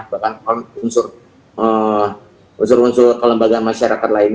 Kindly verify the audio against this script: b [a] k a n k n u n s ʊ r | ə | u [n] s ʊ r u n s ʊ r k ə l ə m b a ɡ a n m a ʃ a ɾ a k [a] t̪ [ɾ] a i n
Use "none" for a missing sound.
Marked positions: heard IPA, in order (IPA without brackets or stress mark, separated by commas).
a, n, a, l